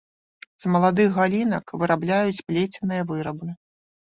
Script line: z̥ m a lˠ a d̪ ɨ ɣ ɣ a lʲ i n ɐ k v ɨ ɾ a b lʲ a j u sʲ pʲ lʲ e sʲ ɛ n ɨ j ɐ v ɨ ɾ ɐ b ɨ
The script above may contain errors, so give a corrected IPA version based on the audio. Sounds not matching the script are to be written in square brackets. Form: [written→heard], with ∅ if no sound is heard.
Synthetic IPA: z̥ m [a→ɐ] lˠ a d̪ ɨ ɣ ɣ a lʲ i n ɐ k v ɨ ɾ a b lʲ a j u [sʲ→t͡sʲ] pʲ lʲ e [sʲ→t͡sʲ] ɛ n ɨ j ɐ v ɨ ɾ ɐ b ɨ